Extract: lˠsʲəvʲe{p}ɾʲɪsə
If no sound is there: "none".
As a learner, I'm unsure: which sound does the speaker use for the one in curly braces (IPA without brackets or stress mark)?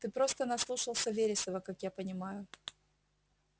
none